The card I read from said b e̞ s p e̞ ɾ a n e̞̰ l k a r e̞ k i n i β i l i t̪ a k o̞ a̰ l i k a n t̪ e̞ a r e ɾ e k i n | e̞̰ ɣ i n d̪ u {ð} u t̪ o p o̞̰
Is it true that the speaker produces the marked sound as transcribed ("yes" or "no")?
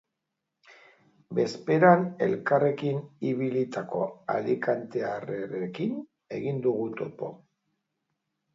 no